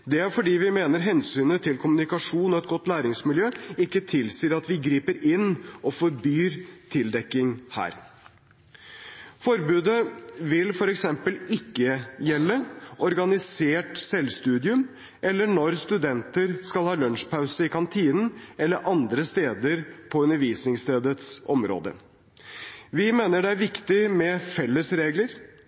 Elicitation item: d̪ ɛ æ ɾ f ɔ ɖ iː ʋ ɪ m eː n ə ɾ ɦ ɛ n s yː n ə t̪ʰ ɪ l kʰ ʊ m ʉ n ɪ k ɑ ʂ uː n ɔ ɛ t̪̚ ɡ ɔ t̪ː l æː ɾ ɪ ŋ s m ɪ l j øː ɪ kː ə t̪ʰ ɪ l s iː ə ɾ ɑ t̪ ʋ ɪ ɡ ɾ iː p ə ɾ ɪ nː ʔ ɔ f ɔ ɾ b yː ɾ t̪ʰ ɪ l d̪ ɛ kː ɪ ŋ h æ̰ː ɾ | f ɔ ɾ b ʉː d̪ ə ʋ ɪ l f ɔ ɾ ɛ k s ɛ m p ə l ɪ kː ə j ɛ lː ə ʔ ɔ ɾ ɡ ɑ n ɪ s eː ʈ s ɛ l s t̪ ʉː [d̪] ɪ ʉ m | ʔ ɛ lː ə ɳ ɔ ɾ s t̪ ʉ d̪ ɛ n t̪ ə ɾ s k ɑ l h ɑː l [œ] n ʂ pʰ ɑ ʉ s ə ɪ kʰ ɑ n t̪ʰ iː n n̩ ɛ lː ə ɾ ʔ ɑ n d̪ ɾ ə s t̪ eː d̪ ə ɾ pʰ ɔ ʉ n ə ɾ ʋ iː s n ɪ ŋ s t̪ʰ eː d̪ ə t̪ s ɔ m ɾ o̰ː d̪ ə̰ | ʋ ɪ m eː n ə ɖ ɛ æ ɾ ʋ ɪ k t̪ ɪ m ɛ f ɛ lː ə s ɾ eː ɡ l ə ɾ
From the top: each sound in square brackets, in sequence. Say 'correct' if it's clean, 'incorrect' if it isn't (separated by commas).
correct, correct